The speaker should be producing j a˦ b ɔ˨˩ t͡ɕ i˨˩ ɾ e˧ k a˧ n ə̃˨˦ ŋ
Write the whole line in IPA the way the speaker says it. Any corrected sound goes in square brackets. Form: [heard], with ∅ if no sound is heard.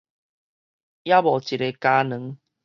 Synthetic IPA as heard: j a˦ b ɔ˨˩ t͡ɕ i˨˩ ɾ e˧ k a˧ n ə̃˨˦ ŋ

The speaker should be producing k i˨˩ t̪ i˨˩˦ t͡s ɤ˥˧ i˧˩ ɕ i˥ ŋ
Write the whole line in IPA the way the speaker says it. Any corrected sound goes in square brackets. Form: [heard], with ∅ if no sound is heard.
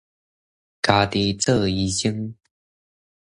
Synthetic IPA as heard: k [a˨˩] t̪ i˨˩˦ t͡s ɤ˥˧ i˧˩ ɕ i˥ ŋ

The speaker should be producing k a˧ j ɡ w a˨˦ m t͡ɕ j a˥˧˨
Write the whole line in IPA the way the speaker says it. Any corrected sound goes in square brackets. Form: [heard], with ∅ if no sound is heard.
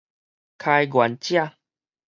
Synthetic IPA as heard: [kʰ] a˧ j ɡ w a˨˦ [n] t͡ɕ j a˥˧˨

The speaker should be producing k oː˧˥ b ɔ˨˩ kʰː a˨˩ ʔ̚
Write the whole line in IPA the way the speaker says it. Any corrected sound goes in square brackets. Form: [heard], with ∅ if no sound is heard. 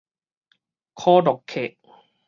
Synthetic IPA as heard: [kʰ] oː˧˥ [d] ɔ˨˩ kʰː [e˨˩] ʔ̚

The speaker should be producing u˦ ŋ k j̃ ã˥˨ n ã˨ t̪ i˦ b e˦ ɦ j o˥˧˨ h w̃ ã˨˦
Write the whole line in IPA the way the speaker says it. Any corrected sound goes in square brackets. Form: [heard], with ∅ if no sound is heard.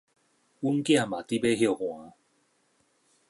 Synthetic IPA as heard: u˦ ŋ k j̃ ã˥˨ [m] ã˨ t̪ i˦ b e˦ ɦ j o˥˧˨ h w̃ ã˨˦

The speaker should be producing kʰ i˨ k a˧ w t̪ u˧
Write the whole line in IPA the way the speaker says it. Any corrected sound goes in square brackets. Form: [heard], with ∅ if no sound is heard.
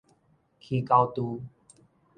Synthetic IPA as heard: kʰ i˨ k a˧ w t̪ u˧

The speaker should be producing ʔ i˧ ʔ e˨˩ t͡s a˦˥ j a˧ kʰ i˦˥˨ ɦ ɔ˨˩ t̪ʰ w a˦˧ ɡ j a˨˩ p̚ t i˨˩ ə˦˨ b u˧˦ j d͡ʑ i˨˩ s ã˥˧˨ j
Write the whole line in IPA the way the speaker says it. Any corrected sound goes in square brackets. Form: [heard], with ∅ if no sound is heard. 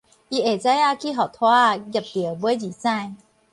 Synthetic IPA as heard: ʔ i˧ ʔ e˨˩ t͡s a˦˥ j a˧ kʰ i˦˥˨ ɦ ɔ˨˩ t̪ʰ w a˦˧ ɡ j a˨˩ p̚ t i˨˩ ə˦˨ b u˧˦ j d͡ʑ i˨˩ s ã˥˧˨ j

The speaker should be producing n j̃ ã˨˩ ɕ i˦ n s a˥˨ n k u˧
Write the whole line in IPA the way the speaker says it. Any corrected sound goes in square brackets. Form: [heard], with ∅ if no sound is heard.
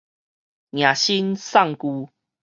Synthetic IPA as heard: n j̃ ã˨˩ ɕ i˦ n s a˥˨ [ŋ] k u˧

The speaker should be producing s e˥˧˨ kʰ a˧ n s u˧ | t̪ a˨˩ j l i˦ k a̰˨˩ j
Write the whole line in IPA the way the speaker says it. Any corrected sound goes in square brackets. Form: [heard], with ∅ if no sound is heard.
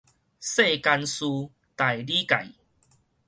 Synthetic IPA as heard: s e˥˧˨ [k] a˧ n s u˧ | t̪ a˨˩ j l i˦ k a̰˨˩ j

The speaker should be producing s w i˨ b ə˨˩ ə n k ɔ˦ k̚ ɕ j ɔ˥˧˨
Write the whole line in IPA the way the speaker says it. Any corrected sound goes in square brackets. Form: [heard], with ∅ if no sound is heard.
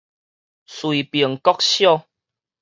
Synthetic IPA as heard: s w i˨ [p] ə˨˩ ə [ŋ] k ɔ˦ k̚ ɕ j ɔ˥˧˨

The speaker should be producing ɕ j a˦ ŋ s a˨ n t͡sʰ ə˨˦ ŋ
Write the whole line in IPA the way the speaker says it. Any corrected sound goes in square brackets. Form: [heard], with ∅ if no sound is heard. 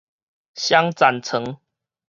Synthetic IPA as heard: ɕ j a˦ ŋ [t͡s] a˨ n t͡sʰ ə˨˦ ŋ

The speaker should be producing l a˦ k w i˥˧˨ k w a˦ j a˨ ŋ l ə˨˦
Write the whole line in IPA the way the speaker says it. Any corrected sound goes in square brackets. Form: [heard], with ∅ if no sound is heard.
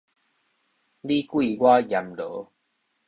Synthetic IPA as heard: l [i˦] k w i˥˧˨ [ɡ] w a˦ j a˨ [m] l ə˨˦

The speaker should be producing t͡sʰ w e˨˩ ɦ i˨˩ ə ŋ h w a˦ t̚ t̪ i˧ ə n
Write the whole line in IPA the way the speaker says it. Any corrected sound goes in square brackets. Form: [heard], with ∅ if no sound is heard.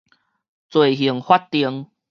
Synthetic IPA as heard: [t͡s] w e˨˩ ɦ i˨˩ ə ŋ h w a˦ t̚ t̪ i˧ ə [ŋ]

